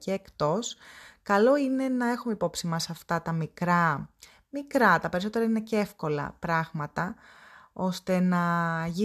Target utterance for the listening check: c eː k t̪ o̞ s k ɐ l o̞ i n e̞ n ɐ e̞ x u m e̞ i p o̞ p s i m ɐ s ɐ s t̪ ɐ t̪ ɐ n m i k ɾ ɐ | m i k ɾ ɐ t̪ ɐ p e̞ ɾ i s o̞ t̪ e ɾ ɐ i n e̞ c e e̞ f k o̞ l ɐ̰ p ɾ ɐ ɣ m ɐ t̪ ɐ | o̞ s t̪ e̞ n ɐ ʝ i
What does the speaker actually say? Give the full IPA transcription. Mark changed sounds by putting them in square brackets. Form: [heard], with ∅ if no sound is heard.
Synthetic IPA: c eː k t̪ o̞ s k ɐ l o̞ i n e̞ n ɐ e̞ x u m e̞ i p o̞ p s i m ɐ s ɐ [f] t̪ ɐ t̪ ɐ [∅] m i k ɾ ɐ | m i k ɾ ɐ t̪ ɐ p e̞ ɾ i s o̞ t̪ e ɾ ɐ i n e̞ c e e̞ f k o̞ l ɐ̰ p ɾ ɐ ɣ m ɐ t̪ ɐ | o̞ s t̪ e̞ n ɐ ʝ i